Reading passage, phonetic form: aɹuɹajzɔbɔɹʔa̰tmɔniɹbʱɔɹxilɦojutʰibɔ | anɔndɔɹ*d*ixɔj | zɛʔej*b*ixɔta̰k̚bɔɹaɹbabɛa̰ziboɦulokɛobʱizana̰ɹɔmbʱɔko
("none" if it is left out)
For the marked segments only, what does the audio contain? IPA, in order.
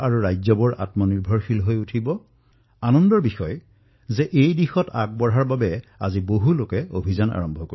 b, d

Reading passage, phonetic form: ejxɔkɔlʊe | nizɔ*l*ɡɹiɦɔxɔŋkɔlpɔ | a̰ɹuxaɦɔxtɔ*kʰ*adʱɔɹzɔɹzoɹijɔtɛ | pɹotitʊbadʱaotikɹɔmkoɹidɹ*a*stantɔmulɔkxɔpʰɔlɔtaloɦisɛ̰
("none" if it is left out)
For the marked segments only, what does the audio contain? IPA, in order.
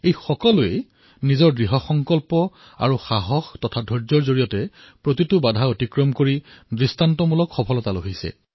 ɹ, tʰ, i

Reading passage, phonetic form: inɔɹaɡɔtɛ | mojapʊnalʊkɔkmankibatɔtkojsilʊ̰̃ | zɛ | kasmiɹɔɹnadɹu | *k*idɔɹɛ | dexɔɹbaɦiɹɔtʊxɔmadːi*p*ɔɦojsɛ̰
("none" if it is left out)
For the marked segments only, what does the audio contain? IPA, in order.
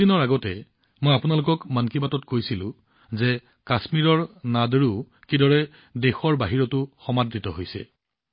k, t

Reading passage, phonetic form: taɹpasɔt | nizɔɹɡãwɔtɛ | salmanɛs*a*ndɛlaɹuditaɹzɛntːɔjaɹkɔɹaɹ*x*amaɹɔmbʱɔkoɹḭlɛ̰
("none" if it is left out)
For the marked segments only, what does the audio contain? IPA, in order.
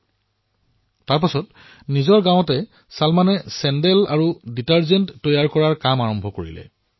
ɛ, k

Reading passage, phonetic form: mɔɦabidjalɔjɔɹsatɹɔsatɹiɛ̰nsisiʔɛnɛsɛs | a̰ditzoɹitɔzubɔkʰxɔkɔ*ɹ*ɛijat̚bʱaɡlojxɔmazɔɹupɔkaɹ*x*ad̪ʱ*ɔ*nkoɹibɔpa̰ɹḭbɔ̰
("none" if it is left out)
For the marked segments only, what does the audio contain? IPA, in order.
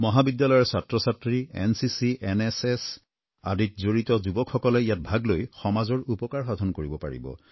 l, x, ɔ

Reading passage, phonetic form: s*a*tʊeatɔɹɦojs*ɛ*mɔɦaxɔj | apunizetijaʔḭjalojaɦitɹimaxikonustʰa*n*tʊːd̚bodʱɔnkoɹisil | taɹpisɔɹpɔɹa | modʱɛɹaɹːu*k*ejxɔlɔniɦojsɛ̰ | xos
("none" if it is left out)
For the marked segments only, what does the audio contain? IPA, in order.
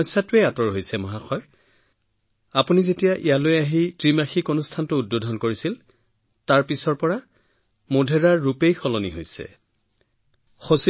a, ɛ, n, p

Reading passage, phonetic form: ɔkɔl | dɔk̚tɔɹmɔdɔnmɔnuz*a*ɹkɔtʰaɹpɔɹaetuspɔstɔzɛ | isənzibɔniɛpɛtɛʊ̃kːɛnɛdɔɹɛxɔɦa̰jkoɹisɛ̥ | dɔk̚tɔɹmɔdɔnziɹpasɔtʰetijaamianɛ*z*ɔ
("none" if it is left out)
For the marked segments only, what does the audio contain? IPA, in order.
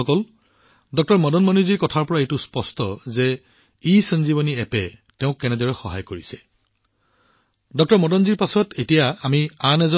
i, z

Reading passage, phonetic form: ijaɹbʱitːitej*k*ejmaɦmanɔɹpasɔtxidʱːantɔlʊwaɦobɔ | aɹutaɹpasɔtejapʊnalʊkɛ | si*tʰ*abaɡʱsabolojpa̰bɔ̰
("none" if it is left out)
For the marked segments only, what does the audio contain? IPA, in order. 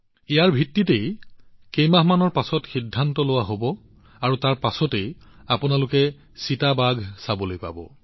k, t

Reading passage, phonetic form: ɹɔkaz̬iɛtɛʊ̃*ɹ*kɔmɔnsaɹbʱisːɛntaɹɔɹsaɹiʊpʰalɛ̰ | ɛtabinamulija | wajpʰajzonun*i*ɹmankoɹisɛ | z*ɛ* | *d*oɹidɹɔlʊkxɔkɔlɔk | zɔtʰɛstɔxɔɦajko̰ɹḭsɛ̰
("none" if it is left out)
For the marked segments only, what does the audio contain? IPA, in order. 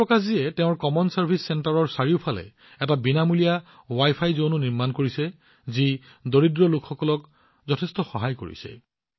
ɹ, i, i, d

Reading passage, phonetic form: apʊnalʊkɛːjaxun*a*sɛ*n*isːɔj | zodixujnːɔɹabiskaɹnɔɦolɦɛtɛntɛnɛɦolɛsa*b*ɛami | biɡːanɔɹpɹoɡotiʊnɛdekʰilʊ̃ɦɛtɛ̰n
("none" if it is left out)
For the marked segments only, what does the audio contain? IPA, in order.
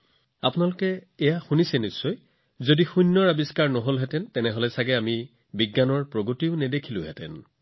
i, n, ɡ

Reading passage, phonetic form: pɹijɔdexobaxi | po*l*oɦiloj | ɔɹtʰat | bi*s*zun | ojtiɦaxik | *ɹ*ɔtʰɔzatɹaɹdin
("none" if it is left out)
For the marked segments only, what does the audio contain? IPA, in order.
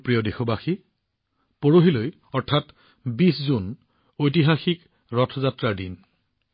ɹ, s, ɹ

